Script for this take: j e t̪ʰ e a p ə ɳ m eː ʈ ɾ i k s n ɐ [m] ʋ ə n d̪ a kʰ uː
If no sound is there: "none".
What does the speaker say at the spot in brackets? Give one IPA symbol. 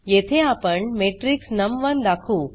m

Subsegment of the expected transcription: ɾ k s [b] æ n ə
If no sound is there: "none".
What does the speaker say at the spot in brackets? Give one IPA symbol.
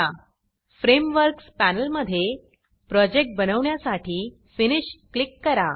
p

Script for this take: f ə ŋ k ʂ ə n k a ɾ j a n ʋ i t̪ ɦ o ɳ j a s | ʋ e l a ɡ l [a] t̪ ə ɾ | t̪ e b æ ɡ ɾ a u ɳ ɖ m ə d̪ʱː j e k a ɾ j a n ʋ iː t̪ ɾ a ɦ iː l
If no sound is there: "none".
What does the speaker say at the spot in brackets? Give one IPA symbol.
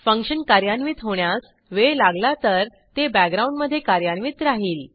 a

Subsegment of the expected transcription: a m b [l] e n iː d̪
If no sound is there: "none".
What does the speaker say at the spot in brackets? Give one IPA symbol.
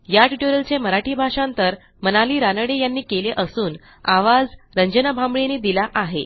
ɭ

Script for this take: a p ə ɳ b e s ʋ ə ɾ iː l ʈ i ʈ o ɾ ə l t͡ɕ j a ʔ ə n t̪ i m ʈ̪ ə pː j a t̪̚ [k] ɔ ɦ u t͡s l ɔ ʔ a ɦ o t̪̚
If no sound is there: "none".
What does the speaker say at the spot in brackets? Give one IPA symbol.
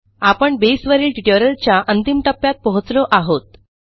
p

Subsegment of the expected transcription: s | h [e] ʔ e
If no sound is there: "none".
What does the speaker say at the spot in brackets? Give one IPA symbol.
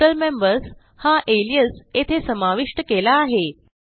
a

